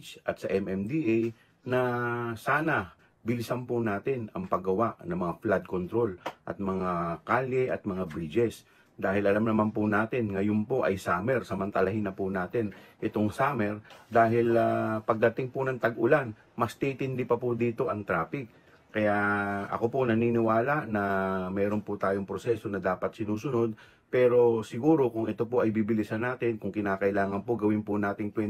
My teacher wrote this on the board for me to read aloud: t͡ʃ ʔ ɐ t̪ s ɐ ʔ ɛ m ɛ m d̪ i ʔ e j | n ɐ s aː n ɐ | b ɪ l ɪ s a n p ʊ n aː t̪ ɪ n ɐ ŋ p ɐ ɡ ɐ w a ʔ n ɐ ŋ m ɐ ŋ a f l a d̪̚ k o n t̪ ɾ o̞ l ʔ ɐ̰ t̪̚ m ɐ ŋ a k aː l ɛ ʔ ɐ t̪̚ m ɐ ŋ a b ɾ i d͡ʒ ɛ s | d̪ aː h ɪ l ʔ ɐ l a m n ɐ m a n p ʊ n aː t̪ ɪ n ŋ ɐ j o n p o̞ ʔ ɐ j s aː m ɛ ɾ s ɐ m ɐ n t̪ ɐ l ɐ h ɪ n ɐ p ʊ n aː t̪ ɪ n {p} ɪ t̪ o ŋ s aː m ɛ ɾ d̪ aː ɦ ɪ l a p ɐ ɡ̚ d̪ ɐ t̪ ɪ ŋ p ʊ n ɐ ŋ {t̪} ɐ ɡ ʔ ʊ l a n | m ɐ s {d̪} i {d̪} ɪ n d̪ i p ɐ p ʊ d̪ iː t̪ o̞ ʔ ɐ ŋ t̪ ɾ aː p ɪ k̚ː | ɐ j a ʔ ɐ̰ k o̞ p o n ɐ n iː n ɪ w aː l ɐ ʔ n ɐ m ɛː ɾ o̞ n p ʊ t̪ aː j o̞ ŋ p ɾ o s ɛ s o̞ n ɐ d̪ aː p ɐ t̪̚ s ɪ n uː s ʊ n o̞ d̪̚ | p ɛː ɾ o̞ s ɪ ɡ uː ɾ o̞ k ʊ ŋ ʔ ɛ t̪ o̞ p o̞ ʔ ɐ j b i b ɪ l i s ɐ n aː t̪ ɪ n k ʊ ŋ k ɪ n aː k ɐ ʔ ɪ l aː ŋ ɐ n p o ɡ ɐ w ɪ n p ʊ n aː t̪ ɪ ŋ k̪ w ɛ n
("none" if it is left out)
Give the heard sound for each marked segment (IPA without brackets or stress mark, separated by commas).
ʔ, t̪, t̪, t̪